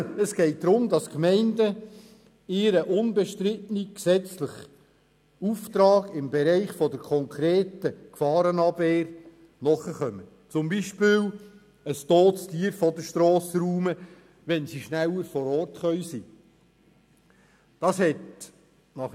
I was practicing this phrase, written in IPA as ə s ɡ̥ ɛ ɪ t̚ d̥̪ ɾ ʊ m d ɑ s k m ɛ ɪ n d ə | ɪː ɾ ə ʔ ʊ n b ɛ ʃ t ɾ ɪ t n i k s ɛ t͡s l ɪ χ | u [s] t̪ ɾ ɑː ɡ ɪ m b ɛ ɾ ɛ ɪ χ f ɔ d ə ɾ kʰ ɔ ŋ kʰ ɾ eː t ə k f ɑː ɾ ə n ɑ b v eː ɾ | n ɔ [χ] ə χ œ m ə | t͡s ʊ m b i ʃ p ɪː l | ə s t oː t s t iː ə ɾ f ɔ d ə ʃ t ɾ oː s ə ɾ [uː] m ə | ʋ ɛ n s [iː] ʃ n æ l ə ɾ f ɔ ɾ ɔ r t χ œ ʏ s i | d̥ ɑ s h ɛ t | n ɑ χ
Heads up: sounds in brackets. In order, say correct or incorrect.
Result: incorrect: f, correct, correct, incorrect: i

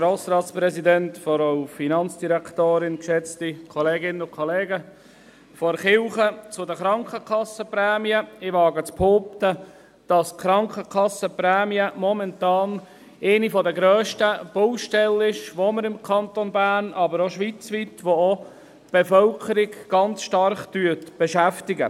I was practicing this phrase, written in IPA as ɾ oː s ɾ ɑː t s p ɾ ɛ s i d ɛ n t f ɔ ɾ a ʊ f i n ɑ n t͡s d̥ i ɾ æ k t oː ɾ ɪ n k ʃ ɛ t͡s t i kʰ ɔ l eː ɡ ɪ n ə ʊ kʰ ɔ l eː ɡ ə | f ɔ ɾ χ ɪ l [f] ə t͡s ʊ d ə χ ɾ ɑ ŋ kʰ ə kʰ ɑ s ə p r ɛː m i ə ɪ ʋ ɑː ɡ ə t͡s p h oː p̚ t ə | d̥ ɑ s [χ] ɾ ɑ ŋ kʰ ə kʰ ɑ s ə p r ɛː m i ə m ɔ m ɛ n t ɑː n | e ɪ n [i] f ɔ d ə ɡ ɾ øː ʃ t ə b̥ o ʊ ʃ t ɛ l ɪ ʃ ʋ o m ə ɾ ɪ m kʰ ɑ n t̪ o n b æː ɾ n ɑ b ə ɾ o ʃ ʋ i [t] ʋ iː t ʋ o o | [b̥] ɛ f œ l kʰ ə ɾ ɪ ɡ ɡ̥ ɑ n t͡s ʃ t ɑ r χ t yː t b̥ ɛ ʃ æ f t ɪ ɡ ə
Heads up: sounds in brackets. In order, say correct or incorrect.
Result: incorrect: χ, correct, correct, incorrect: t͡s, correct

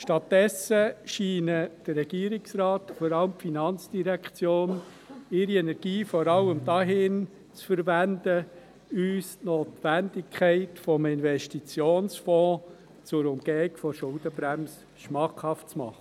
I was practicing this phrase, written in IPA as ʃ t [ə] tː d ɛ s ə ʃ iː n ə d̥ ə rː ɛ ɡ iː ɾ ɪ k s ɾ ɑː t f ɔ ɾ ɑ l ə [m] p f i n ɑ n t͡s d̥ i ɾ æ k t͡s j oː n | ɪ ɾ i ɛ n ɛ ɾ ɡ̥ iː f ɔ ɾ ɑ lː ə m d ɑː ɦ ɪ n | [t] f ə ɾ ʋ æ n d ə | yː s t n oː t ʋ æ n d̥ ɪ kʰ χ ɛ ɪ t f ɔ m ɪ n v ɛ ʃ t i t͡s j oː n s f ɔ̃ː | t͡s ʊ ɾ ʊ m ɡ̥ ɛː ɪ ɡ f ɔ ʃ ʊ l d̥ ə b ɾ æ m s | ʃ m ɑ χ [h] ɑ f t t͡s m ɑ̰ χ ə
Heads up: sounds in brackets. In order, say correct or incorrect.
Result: incorrect: ɑ, correct, incorrect: t͡s, correct

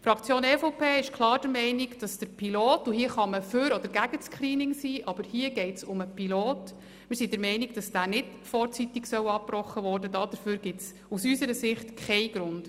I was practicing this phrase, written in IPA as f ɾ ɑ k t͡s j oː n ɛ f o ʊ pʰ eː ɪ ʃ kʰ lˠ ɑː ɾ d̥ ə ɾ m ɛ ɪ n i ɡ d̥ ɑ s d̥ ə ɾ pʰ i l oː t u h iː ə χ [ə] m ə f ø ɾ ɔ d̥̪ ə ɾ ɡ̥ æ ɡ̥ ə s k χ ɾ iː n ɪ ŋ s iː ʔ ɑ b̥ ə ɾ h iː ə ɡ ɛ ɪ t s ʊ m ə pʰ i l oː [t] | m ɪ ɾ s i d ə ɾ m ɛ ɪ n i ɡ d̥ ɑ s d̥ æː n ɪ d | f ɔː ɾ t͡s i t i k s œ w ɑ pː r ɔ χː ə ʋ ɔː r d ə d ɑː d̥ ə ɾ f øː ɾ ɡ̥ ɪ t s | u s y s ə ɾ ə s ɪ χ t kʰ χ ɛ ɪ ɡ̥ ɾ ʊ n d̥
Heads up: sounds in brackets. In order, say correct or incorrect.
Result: incorrect: ɑ, correct

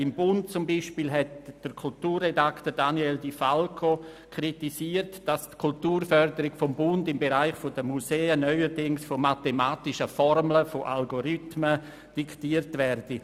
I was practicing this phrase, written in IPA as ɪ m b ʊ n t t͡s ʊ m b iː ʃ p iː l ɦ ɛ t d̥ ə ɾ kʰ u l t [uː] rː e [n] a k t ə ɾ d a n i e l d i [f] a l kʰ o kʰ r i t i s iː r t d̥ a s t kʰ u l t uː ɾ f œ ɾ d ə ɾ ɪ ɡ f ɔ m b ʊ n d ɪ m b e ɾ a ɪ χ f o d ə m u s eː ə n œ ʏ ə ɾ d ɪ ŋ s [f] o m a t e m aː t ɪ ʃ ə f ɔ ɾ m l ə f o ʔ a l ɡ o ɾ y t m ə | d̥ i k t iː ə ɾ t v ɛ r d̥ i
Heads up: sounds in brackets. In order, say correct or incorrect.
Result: correct, incorrect: d, correct, correct

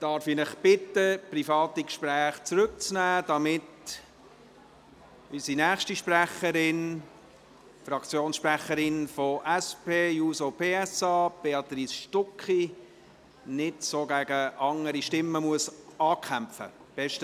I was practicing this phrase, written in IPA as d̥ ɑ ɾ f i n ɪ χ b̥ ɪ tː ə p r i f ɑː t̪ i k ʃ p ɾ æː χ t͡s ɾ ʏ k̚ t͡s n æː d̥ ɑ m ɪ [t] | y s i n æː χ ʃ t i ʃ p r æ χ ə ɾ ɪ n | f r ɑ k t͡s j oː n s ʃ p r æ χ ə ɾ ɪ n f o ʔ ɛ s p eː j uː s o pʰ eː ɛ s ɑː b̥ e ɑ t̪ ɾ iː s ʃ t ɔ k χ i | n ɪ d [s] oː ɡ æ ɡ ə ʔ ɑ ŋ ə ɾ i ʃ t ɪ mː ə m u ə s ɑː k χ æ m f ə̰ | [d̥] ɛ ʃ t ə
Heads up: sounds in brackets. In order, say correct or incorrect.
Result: correct, correct, incorrect: b̥

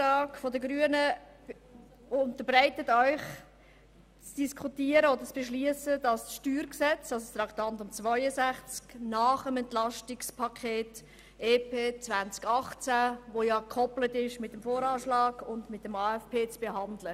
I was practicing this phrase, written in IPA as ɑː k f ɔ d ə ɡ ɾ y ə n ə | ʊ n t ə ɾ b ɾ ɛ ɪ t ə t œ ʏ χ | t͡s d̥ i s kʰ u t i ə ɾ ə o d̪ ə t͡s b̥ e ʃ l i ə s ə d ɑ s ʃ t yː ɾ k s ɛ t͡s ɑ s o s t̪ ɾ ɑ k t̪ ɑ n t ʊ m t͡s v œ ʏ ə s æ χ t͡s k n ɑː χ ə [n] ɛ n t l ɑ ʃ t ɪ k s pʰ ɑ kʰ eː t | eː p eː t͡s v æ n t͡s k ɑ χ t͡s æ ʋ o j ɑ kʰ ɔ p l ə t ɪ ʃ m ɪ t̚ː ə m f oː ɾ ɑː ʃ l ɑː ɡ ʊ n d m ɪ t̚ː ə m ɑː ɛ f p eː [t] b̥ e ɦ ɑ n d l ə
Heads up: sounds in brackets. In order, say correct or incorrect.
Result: incorrect: m, incorrect: t͡s

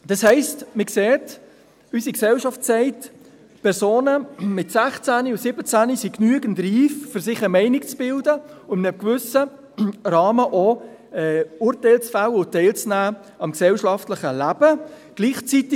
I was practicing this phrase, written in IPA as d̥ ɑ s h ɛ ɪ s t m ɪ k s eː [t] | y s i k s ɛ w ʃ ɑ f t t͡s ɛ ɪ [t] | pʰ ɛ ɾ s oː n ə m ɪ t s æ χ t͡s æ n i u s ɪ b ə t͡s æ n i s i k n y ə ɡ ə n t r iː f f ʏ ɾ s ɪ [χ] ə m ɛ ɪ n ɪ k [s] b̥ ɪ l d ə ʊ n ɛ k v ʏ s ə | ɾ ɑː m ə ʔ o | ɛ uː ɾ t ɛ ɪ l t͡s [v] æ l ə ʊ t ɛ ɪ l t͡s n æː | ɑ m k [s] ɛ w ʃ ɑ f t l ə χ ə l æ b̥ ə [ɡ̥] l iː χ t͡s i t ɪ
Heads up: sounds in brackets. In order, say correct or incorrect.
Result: correct, correct, correct, incorrect: t͡s, incorrect: f, correct, correct

